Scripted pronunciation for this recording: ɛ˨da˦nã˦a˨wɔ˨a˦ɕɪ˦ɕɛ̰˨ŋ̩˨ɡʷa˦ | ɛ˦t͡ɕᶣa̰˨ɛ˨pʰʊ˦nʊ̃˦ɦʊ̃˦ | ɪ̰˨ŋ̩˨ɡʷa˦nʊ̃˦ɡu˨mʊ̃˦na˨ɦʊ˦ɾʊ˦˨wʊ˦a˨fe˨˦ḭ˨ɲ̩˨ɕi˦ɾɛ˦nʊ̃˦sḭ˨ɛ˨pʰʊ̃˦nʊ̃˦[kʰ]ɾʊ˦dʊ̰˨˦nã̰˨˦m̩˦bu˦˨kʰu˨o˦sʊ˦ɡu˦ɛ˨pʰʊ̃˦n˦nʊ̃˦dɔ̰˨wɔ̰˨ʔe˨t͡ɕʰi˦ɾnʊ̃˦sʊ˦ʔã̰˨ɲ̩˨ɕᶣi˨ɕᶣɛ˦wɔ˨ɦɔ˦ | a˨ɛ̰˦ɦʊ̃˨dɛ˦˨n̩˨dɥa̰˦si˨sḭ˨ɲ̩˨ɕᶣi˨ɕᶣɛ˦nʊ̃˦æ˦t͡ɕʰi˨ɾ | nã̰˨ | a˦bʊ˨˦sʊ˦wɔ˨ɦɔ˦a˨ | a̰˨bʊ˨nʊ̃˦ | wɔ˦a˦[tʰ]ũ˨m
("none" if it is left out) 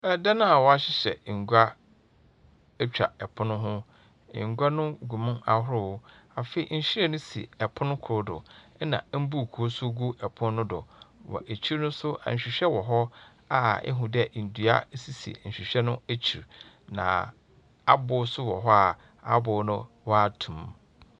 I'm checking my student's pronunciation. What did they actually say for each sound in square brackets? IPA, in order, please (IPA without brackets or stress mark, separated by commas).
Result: kʰ, tʰ